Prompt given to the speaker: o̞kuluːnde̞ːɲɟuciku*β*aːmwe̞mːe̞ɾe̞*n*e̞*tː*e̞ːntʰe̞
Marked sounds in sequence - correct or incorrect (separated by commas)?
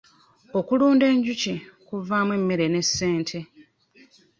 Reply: incorrect, correct, incorrect